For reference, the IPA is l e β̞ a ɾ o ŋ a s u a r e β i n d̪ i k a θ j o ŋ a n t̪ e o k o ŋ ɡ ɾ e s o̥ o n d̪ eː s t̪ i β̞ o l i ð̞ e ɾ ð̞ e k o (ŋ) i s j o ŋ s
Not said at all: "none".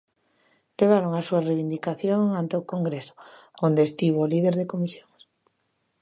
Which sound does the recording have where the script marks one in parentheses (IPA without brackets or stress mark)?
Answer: m